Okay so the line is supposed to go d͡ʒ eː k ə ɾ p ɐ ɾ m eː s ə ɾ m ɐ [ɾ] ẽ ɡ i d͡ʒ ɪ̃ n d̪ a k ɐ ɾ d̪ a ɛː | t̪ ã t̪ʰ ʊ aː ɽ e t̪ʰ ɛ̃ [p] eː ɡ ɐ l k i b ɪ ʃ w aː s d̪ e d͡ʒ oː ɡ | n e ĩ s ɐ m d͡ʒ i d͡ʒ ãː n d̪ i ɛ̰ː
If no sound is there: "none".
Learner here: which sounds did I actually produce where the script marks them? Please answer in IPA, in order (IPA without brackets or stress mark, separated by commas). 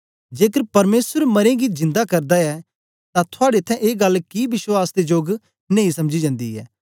ɾ, ʔ